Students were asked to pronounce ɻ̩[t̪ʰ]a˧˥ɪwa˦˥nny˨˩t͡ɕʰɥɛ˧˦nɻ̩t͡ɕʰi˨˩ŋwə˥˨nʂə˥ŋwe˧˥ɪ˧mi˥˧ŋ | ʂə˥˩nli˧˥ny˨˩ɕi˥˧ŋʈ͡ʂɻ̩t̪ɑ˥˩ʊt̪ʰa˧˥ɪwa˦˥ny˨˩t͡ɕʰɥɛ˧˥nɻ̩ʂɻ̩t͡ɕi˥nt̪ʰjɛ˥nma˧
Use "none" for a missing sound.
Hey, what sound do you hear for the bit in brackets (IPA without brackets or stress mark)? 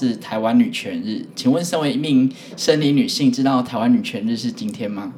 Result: t̪ʰ